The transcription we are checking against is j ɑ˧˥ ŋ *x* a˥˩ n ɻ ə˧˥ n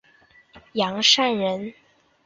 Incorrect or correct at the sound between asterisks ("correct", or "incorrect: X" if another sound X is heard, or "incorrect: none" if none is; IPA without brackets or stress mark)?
incorrect: ʂ